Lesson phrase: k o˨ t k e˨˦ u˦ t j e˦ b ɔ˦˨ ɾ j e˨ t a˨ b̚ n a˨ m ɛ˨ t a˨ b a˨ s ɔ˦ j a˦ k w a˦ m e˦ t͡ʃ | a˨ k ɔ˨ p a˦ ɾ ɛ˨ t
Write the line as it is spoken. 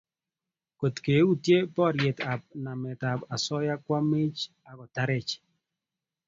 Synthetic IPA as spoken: k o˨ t k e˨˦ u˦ t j e˦ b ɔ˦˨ ɾ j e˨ t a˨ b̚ n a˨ m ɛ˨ t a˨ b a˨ s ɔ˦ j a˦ k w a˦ m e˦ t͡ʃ | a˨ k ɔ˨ t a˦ ɾ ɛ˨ t͡ʃ